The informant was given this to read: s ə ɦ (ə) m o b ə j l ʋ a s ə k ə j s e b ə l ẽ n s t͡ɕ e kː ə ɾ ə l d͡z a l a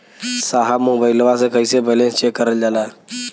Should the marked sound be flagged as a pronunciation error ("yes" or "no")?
yes